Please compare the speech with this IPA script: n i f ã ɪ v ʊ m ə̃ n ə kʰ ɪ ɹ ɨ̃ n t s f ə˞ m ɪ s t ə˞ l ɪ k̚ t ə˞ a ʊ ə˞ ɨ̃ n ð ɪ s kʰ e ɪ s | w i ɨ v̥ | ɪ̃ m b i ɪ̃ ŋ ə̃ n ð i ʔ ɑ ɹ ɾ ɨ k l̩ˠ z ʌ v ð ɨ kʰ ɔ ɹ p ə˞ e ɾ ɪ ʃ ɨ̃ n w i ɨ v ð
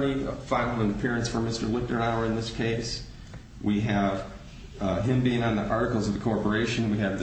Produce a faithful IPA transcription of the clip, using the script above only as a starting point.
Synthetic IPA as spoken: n i f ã ɪ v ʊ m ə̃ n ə pʰ ɪ ɹ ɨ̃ n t s f ə˞ m ɪ s t ə˞ l ɪ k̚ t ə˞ a ʊ ə˞ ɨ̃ n ð ɪ s kʰ e ɪ s | w i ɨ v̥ | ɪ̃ m b i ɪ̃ ŋ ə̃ n ð i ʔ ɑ ɹ ɾ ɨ k l̩ˠ z ʌ v ð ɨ kʰ ɔ ɹ p ə˞ e ɪ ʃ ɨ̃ n w i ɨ v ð